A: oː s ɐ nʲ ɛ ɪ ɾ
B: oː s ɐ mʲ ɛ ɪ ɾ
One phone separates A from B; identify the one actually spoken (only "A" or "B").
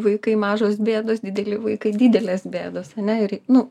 A